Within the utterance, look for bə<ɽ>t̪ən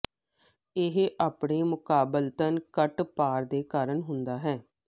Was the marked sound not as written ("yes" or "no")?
yes